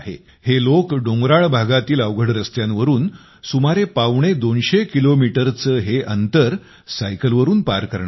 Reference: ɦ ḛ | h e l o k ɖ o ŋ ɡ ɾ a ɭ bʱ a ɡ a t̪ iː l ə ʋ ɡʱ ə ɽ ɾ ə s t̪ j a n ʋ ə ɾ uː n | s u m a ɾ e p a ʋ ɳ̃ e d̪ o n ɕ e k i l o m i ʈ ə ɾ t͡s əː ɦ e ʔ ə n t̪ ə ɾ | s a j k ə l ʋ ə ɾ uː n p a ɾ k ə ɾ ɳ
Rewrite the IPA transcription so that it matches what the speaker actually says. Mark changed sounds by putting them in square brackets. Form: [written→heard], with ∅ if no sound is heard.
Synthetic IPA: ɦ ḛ | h e l o k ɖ o ŋ ɡ ɾ a ɭ bʱ a ɡ a t̪ iː l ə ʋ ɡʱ ə ɽ ɾ ə s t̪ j a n ʋ ə ɾ uː n | s u m a ɾ e p a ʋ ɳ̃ e d̪ o n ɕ e k i l o m i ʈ ə ɾ t͡s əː ɦ e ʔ ə n t̪ ə ɾ | s a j k ə l ʋ ə ɾ uː n p a ɾ k ə ɾ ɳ

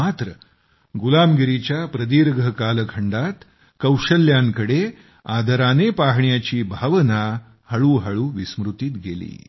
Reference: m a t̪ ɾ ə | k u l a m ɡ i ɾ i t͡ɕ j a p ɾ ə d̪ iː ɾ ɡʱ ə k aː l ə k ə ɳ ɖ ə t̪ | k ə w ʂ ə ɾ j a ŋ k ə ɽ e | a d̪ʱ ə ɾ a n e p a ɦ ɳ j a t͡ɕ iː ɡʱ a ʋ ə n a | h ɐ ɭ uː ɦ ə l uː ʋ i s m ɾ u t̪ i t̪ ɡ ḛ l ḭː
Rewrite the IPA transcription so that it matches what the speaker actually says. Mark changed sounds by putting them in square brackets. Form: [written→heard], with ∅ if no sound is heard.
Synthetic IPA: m a t̪ ɾ ə | [k→ɡ] u l a m ɡ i ɾ i t͡ɕ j a p ɾ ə d̪ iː ɾ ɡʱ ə k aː l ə [k→kʰ] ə ɳ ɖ [ə→a] t̪ | k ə w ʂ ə [ɾ→l] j a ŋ k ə ɽ e | a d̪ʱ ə ɾ a n e p a ɦ ɳ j a t͡ɕ iː [ɡʱ→bʱ] a ʋ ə n a | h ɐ ɭ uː ɦ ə [l→ɭ] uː ʋ i s m ɾ u t̪ i t̪ ɡ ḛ l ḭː

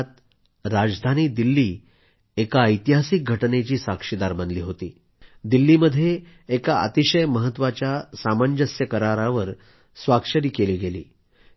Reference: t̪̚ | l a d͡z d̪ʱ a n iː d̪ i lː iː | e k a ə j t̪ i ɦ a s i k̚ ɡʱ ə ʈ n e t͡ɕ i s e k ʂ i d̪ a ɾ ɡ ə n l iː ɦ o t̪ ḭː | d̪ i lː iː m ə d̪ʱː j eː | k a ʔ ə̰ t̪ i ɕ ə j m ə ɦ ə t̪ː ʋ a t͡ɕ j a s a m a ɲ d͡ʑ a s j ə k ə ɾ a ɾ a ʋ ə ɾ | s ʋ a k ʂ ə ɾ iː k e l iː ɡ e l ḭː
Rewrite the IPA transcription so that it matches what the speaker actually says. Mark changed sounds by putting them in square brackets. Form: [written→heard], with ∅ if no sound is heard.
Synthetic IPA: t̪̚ | [l→ɾ] a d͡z d̪ʱ a n iː d̪ i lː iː | e k a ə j t̪ i ɦ a s i k̚ ɡʱ ə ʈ n e t͡ɕ [i→iː] s [e→a] k ʂ i d̪ a ɾ [ɡ→b] ə n l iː ɦ o t̪ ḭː | d̪ i lː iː m ə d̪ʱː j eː | k a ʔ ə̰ t̪ i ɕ ə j m ə ɦ ə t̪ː ʋ a t͡ɕ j a s a m a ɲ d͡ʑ [a→ə] s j ə k ə ɾ a ɾ a ʋ ə ɾ | s ʋ a k ʂ ə ɾ iː k e l iː ɡ e l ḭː

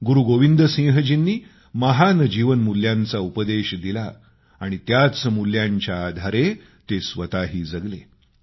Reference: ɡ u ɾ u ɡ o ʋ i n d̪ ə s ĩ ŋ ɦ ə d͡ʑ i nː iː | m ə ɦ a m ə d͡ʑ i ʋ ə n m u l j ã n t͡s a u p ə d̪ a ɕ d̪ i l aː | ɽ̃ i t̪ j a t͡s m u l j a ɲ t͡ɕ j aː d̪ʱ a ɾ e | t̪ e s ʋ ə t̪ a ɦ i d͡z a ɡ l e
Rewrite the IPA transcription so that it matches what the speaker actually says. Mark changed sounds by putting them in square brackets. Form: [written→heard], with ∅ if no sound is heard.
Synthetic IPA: ɡ u ɾ u ɡ o ʋ i n d̪ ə s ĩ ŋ ɦ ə d͡ʑ i nː iː | m ə ɦ a [m→n] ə d͡ʑ i ʋ ə n m u l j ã n t͡s a u p ə d̪ [a→e] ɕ d̪ i l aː | ɽ̃ i t̪ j a t͡s m u l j a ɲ t͡ɕ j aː d̪ʱ a ɾ e | t̪ e s ʋ ə t̪ a ɦ [i→iː] d͡z [a→ə] ɡ l e

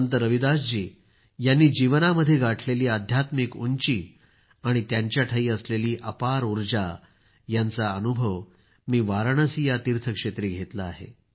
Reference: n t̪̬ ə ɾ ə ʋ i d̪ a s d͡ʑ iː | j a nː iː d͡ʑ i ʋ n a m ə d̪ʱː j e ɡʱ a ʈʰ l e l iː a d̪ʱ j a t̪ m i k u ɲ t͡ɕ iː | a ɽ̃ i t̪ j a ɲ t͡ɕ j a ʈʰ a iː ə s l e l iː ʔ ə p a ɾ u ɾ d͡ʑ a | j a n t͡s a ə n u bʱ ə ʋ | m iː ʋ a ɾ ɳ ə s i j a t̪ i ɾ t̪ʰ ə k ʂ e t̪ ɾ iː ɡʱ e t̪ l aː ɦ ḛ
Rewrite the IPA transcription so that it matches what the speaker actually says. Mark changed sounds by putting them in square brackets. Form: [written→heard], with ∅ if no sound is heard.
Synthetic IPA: n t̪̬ ə ɾ ə ʋ i d̪ a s d͡ʑ iː | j a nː iː d͡ʑ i ʋ n a m ə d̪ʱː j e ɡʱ a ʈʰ l e l iː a d̪ʱ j a t̪ m i k u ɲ t͡ɕ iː | a ɽ̃ i t̪ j a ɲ t͡ɕ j a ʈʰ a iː ə s l e l iː ʔ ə p a ɾ u ɾ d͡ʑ a | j a n t͡s a ə n u bʱ ə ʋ | m iː ʋ a ɾ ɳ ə s i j a t̪ i ɾ t̪ʰ ə k ʂ e t̪ ɾ iː ɡʱ e t̪ l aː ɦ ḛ

